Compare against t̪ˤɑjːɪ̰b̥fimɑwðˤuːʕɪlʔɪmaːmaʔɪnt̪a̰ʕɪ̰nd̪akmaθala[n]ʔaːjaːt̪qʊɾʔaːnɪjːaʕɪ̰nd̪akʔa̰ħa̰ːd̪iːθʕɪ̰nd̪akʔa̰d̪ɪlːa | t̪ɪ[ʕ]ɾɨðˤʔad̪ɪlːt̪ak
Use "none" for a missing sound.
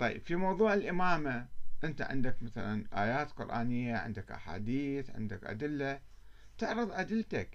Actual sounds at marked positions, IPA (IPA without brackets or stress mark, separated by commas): n, ʕ